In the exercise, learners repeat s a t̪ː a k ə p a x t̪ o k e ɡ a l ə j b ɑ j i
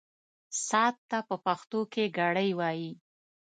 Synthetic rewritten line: s ɑ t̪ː a p ə p a x t̪ o k e ɡ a ɽ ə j w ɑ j i